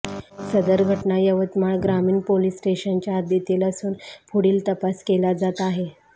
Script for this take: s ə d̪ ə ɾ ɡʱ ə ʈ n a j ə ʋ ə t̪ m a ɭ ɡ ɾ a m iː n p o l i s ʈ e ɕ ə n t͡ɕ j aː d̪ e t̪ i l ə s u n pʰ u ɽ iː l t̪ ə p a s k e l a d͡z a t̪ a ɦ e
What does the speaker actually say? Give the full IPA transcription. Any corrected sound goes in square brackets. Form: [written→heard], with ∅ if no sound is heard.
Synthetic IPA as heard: s ə d̪ ə ɾ ɡʱ ə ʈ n a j ə ʋ ə t̪ m a ɭ ɡ ɾ a m iː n p o l i s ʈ e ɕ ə n t͡ɕ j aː d̪ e t̪ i l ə s [u→uː] n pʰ u ɽ iː l t̪ ə p a s k e l a d͡z a t̪ a ɦ e